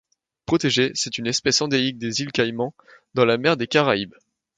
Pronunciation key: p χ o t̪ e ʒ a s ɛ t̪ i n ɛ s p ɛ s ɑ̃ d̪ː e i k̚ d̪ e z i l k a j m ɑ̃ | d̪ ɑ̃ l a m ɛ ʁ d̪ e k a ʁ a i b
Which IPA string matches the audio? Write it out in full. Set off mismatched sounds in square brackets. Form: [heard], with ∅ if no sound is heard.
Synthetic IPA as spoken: p χ [ɔ] t̪ e ʒ [e] s ɛ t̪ [y] n ɛ s p ɛ s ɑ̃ [d̪] e i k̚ d̪ e z i l k a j m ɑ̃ | d̪ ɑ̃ l a m ɛ ʁ d̪ e k a ʁ a i b